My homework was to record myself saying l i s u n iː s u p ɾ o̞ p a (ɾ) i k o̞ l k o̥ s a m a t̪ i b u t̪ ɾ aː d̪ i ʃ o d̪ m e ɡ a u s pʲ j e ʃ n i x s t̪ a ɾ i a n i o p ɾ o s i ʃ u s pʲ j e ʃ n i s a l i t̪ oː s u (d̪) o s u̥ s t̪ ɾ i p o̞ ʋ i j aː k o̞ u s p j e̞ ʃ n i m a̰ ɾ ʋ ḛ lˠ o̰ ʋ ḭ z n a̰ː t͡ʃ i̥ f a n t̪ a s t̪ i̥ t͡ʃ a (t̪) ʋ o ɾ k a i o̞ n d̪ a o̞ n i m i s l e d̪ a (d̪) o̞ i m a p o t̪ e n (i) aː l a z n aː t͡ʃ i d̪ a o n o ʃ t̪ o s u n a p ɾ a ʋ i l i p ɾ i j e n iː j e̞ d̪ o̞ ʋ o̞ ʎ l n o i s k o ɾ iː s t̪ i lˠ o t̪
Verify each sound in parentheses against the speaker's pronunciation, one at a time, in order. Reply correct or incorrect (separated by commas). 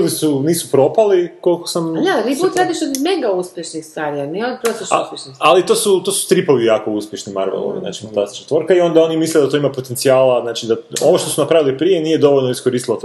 incorrect, incorrect, correct, incorrect, correct